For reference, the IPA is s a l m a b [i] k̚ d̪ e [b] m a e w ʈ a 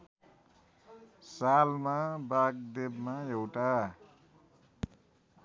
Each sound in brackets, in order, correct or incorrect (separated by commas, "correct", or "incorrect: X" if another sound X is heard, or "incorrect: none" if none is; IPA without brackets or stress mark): incorrect: a, correct